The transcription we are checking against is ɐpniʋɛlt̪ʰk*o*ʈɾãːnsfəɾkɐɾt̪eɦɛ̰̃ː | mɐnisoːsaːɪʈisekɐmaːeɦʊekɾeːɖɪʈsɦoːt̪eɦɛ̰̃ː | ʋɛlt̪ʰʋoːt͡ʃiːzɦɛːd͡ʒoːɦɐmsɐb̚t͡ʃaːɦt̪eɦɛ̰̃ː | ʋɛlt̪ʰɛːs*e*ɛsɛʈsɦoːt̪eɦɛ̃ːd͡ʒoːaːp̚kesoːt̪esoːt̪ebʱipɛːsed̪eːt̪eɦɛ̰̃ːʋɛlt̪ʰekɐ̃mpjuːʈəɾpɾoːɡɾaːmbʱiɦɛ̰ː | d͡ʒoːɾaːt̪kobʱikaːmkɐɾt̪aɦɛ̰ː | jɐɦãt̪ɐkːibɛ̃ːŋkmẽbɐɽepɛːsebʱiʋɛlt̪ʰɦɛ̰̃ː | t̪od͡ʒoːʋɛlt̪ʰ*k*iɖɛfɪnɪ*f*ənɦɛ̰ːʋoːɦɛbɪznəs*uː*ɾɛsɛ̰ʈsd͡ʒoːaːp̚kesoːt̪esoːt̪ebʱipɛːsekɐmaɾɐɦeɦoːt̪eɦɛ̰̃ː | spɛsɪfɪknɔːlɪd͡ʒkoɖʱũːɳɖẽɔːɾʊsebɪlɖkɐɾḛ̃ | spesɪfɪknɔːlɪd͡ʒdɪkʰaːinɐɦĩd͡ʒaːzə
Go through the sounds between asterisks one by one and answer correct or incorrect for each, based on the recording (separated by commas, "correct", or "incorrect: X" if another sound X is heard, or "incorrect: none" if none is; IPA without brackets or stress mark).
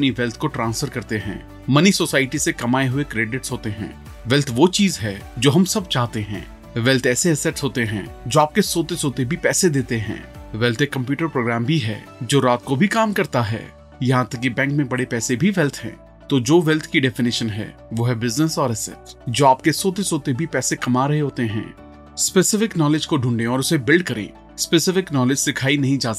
correct, correct, correct, incorrect: ʃ, incorrect: ɔː